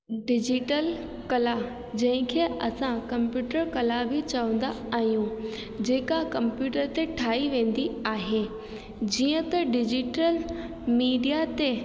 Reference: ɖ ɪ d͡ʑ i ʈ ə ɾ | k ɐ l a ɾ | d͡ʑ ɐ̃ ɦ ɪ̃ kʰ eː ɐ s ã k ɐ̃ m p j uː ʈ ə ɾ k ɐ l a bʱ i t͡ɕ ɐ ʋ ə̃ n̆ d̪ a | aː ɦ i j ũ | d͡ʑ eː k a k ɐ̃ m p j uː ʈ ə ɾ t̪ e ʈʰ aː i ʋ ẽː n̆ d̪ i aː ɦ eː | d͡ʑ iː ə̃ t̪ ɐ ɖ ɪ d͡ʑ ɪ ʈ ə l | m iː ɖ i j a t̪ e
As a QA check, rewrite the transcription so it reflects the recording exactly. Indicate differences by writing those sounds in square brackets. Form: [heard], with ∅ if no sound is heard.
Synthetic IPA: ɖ ɪ d͡ʑ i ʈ ə [l] | k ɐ l a [∅] | d͡ʑ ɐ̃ ɦ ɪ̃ kʰ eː ɐ s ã k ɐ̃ m p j uː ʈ ə ɾ k ɐ l a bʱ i t͡ɕ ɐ ʋ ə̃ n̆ d̪ a | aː ɦ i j ũ | d͡ʑ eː k a k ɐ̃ m p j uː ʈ ə ɾ t̪ e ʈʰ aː i ʋ ẽː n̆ d̪ i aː ɦ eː | d͡ʑ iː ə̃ t̪ ɐ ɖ ɪ d͡ʑ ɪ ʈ ə l | m iː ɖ i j a t̪ e